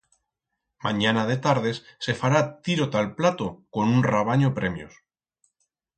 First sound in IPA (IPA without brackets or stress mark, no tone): m